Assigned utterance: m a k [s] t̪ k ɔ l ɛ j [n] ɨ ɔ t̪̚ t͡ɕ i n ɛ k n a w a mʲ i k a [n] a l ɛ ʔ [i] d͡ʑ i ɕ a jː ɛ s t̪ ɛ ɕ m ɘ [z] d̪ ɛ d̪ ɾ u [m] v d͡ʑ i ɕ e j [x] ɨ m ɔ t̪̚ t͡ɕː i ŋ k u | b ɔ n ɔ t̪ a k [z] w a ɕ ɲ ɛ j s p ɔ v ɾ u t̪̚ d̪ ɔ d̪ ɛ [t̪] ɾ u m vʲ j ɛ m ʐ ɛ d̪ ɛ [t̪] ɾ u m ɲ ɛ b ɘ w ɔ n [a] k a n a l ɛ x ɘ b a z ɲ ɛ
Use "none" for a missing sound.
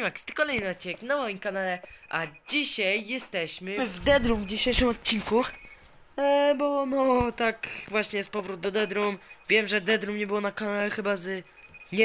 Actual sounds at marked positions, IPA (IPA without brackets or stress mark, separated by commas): s, n, n, a, v, m, ʂ, v, d̪, d̪, a